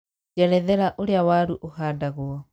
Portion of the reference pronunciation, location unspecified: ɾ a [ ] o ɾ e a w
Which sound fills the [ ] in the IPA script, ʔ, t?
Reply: ʔ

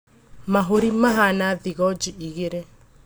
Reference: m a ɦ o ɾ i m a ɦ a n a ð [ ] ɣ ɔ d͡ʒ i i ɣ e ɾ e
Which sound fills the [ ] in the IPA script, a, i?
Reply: i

